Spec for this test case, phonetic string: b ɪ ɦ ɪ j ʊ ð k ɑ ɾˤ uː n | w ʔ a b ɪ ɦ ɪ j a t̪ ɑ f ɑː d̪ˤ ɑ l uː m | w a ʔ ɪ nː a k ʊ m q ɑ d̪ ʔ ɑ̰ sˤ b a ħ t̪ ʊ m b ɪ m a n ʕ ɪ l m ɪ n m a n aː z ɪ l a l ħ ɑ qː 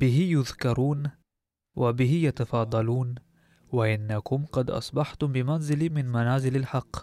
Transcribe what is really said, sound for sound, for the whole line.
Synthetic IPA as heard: b ɪ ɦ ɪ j ʊ ð k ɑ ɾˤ uː n | w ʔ a b ɪ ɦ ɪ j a t̪ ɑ f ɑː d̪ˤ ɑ l uː n | w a ʔ ɪ nː a k ʊ m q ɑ d̪ ʔ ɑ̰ sˤ b ɑ ħ t̪ ʊ m b ɪ m a n z ɪ l m ɪ n m a n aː z ɪ l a l ħ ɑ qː